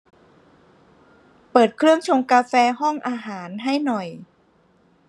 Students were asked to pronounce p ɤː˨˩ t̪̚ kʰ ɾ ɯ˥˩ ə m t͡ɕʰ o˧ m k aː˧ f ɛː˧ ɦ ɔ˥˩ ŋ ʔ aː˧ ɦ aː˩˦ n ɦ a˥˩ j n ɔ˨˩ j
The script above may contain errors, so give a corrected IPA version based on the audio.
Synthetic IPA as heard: p ɤː˨˩ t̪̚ kʰ ɾ ɯ˥˩ ə ŋ t͡ɕʰ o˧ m k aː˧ f ɛː˧ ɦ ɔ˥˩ ŋ ʔ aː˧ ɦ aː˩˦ n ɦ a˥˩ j n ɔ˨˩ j